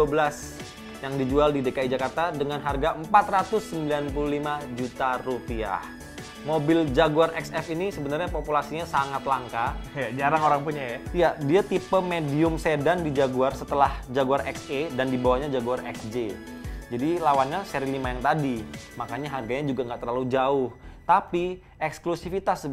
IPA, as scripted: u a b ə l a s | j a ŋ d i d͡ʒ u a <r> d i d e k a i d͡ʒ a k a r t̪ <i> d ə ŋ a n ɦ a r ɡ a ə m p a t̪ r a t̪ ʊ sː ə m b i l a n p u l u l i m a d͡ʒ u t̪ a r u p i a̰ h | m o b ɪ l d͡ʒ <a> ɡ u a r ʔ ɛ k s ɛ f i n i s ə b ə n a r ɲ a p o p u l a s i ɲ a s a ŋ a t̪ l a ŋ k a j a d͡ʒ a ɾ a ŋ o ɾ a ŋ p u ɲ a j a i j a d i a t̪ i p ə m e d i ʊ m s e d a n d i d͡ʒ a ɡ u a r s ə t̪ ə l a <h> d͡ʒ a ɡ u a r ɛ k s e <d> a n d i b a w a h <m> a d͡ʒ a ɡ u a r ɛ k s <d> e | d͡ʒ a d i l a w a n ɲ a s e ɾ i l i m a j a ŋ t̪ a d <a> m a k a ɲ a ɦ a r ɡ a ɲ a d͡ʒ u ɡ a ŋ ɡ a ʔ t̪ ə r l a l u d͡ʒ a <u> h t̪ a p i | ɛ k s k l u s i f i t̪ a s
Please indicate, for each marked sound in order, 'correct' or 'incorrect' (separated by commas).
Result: incorrect, incorrect, correct, correct, correct, incorrect, incorrect, incorrect, incorrect